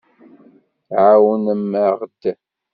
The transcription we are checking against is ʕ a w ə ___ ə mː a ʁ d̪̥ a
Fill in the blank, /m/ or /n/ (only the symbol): n